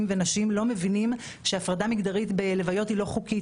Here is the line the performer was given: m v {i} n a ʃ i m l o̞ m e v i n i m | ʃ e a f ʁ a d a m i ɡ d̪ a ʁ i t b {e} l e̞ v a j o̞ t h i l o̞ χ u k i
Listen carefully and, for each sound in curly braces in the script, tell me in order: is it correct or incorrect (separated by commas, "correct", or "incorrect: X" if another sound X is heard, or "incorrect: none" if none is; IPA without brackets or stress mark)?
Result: incorrect: e, correct